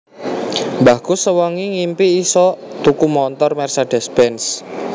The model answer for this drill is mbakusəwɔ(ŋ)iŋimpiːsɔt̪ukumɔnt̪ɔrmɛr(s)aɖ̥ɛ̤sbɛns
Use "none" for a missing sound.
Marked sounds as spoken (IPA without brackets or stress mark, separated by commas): ŋ, s